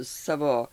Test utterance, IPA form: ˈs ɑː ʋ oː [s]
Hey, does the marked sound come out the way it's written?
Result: no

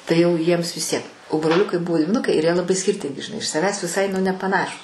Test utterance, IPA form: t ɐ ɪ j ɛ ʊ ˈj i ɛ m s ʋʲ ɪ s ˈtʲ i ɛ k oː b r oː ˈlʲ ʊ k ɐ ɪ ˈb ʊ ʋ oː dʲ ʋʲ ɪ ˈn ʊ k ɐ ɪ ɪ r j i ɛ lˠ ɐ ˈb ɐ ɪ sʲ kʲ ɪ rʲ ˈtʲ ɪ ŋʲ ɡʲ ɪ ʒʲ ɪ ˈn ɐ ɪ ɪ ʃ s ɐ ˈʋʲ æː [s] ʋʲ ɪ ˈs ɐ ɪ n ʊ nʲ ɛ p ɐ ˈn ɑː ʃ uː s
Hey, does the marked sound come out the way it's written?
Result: yes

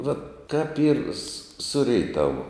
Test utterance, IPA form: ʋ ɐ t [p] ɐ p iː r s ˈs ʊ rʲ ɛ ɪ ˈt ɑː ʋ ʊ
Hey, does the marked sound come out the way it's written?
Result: no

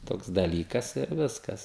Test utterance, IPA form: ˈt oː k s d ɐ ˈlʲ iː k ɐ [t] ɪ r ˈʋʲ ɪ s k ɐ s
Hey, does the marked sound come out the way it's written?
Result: no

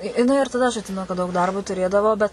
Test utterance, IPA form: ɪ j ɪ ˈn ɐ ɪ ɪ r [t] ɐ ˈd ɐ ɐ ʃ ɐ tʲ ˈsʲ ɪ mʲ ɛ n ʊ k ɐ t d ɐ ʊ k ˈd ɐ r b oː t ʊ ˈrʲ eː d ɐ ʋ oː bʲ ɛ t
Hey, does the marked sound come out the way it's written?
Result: yes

